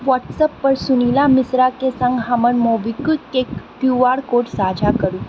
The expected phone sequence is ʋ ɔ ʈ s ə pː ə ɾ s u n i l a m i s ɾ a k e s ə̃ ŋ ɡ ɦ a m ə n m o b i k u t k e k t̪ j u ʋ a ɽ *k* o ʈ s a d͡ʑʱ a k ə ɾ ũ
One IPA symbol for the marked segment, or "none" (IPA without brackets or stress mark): k